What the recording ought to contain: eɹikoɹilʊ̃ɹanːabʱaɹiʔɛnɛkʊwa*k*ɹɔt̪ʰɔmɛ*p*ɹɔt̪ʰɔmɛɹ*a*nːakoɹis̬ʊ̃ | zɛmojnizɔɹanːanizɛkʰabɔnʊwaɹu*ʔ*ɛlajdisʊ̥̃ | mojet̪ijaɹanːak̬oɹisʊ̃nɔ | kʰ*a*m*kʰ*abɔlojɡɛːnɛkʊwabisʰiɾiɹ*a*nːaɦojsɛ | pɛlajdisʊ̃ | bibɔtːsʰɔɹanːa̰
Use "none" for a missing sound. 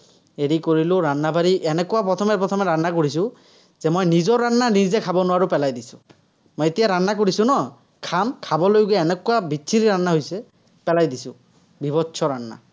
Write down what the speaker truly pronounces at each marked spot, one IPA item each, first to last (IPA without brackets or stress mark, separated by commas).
p, p, a, p, a, kʰ, a